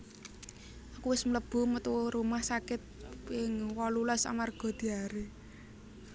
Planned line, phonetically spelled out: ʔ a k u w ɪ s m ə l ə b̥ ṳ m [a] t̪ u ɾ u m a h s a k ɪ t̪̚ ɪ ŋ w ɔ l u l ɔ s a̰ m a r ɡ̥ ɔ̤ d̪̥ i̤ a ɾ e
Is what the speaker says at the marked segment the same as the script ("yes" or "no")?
no